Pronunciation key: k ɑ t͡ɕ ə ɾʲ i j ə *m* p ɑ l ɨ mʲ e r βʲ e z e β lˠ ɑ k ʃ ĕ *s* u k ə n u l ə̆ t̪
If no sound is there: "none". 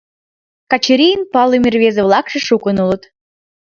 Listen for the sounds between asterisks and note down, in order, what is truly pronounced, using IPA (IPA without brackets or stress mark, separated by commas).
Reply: n, ʃ